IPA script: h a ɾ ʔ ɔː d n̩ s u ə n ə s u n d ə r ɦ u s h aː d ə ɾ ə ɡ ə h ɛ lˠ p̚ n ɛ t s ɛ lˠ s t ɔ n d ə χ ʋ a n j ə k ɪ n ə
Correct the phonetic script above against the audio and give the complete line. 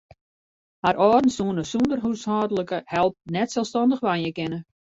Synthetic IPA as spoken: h a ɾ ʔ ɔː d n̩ s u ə n ə s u n d ə r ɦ u s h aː d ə l ə k ə h ɛ lˠ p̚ n ɛ t s ɛ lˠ s t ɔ n d ə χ ʋ a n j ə k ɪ n ə